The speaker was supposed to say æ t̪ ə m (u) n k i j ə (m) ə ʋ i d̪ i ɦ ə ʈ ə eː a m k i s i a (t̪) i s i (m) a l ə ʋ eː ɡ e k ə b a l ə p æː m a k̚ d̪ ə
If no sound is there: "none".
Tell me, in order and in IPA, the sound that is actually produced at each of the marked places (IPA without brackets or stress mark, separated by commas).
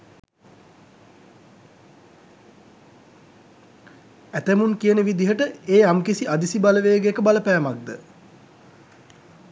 u, n, d̪, b